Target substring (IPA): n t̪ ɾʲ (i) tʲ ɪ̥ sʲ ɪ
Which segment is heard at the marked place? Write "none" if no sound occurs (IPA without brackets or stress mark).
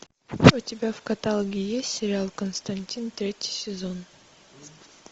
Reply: e